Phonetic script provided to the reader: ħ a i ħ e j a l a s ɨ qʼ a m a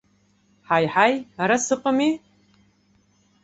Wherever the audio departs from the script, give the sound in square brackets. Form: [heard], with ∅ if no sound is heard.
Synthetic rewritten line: ħ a [j] ħ [a] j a [ɾ] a s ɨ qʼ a m [i]

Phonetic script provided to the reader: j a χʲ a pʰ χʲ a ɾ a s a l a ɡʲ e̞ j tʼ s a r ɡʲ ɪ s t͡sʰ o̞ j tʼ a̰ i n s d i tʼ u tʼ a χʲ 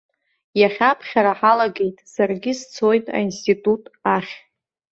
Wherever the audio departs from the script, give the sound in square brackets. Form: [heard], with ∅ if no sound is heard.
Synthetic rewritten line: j a χʲ a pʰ χʲ a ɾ a [ħ] a l a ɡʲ e̞ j tʼ s a r ɡʲ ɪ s t͡sʰ o̞ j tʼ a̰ i n s [t] i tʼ u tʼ a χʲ

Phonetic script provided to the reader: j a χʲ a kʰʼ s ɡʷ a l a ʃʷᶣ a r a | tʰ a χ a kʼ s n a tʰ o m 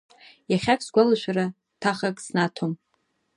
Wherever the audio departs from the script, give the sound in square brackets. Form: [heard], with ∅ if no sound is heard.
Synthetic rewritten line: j a χʲ a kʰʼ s ɡʷ a l a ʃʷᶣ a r a | tʰ a χ a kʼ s n a tʰ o m

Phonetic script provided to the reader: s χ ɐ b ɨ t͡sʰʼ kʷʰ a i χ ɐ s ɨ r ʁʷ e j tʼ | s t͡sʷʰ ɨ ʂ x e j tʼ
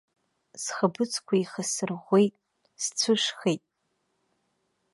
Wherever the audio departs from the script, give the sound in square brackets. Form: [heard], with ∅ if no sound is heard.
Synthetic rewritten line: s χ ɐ b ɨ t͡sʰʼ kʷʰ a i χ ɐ s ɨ r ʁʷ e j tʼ | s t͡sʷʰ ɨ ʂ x e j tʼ

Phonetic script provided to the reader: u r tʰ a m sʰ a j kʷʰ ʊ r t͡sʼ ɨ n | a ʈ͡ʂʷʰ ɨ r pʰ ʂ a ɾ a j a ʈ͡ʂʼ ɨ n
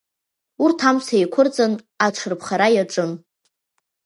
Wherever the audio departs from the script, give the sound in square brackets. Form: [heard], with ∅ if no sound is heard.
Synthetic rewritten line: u r tʰ a m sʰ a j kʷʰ ʊ r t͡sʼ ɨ n | a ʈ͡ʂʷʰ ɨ r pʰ [χ] a ɾ a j a ʈ͡ʂʼ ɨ n

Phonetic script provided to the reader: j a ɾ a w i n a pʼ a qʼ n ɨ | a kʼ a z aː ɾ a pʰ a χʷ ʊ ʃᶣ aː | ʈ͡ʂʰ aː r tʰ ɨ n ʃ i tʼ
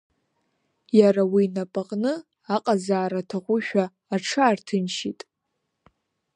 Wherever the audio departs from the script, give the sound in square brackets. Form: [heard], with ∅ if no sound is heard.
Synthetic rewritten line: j a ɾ a w i n a pʼ a qʼ n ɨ | a [qʼ] a z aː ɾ a [tʰ] a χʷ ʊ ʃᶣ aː | ʈ͡ʂʰ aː r tʰ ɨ n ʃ i tʼ

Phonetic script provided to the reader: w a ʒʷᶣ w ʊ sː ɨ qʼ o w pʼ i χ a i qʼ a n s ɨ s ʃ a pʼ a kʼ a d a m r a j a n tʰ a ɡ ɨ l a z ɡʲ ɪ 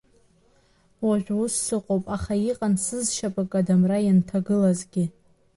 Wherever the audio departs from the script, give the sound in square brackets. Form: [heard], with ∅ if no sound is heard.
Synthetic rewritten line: w a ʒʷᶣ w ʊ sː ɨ qʼ o w pʼ [a] χ a i qʼ a n s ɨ [z] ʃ a pʼ a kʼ a d a m r a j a n tʰ a ɡ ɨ l a z ɡʲ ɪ

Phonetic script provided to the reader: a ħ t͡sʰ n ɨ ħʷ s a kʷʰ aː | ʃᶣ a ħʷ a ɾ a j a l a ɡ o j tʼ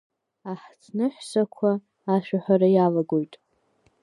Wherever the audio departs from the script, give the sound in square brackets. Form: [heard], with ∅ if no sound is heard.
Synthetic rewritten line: a ħ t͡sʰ n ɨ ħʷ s a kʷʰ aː | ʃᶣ a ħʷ a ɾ a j a l a ɡ o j tʼ

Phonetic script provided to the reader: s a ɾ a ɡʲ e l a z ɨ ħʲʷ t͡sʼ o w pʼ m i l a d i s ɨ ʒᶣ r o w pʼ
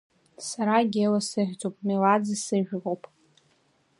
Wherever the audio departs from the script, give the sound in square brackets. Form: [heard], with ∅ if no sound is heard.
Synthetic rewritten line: s a ɾ a ɡʲ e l a [s] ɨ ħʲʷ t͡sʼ o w pʼ m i l a [d͡z] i s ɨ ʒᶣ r o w pʼ

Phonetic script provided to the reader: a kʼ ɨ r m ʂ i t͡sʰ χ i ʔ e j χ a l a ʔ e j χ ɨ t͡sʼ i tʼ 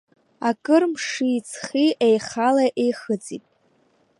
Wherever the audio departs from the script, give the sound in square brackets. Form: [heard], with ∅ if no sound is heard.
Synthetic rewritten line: a kʼ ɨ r m ʂ i t͡sʰ χ i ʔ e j χ a l a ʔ e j χ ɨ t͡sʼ i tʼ

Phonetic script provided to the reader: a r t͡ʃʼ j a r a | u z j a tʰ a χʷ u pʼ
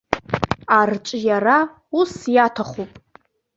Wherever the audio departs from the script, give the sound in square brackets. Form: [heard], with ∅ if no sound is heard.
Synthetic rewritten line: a r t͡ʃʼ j a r a | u [s] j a tʰ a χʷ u pʼ

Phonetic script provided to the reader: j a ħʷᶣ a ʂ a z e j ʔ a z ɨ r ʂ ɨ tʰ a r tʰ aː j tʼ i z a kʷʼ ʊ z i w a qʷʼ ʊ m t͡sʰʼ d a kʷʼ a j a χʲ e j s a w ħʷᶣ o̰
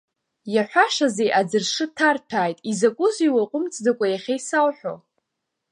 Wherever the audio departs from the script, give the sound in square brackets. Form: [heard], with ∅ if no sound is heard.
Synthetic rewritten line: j a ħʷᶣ a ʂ a z e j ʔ a [d͡z] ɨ r ʂ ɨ tʰ a r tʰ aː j tʼ i z a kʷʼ ʊ z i w a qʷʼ ʊ m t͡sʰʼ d a kʷʼ a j a χʲ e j s a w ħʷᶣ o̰

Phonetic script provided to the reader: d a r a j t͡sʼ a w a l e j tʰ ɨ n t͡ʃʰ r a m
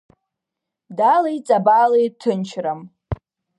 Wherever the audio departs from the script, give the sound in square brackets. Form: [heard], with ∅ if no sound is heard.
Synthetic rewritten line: d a [l] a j t͡sʼ a [b] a l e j tʰ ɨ n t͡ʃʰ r a m

